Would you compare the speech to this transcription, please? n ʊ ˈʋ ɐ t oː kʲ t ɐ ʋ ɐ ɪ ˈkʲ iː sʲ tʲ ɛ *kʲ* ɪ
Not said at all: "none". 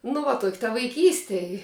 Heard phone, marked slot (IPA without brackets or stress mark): none